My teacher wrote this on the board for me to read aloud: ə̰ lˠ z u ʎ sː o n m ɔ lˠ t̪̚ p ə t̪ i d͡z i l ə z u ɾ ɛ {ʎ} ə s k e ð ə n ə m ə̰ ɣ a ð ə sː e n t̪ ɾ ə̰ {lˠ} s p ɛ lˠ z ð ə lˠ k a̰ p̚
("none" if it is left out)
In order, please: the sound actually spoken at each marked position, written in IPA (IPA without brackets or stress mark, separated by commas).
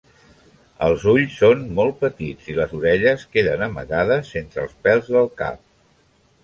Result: ʎ, lˠ